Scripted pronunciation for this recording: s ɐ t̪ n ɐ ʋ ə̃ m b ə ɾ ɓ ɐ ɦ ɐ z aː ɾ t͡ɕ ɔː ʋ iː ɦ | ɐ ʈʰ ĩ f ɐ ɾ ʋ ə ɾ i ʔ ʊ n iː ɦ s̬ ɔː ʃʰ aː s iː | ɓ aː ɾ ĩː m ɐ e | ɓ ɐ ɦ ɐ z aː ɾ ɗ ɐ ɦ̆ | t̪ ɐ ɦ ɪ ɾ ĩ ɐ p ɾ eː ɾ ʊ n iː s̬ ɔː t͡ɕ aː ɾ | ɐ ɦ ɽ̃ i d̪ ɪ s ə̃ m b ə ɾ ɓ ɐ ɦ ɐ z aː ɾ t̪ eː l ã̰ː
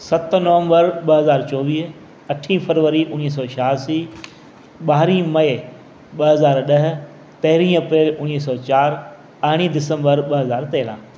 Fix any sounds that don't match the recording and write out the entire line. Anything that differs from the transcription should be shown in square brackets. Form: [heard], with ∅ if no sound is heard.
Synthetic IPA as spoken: s ɐ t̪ n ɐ ʋ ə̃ m b ə ɾ ɓ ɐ ɦ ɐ z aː ɾ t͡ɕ ɔː ʋ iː ɦ | ɐ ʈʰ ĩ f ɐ ɾ ʋ ə ɾ i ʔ ʊ n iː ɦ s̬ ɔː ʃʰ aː s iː | ɓ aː ɾ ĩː m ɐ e | ɓ ɐ ɦ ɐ z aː ɾ ɗ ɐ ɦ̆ | t̪ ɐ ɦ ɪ ɾ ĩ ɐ p ɾ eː [l] ʊ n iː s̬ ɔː t͡ɕ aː ɾ | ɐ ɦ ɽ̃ i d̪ ɪ s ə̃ m b ə ɾ ɓ ɐ ɦ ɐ z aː ɾ t̪ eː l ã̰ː